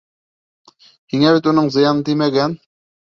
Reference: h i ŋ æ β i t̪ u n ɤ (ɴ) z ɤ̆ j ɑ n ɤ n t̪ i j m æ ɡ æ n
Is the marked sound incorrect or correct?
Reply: correct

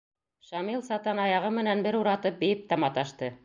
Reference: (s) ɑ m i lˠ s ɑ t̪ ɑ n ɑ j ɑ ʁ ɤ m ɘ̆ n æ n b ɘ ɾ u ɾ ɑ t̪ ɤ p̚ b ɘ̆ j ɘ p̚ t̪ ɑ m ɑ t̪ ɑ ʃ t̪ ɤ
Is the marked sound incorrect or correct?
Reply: incorrect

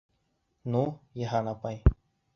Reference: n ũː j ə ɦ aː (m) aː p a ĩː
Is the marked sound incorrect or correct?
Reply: incorrect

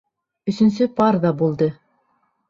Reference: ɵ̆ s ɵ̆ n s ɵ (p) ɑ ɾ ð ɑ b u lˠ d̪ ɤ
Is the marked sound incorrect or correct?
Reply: correct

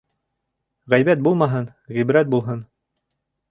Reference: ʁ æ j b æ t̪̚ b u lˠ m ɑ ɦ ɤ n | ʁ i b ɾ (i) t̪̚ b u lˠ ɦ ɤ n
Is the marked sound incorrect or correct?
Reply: incorrect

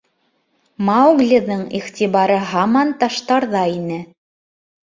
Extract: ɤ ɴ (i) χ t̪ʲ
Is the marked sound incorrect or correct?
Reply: correct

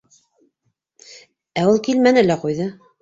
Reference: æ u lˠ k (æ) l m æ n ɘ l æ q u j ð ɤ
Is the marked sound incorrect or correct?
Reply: incorrect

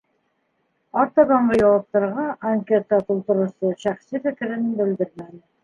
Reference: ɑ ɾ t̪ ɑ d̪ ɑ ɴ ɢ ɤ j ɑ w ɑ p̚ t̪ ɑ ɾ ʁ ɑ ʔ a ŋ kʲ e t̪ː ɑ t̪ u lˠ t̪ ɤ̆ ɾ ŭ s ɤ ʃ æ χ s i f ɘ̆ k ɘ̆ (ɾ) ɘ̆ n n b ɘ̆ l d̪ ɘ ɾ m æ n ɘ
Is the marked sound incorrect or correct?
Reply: correct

